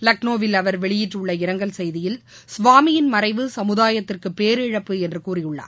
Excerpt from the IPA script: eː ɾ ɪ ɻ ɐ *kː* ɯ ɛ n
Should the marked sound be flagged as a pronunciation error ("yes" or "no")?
yes